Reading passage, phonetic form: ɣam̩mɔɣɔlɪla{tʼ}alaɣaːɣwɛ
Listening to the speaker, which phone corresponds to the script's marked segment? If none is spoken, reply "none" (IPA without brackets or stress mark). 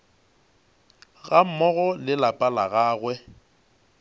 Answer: pʼ